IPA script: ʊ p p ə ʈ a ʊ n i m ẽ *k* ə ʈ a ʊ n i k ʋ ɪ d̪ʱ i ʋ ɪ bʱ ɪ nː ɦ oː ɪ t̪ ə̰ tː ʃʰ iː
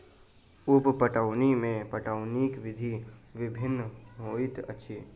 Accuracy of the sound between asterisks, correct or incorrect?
incorrect